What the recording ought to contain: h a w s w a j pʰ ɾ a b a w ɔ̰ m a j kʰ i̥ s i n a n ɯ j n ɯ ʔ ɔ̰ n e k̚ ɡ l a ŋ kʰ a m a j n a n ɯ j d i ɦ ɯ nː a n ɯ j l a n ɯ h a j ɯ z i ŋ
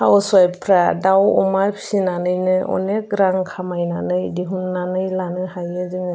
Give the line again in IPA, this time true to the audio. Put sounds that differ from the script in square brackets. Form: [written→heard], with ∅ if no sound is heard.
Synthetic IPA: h a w s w a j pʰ ɾ a [b→d] a w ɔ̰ m a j [kʰ→pʰ] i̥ s i n a n ɯ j n ɯ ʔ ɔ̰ n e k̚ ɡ [l→ɾ] a ŋ kʰ a m a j n a n ɯ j d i ɦ [ɯ→u] nː a n ɯ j l a n ɯ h a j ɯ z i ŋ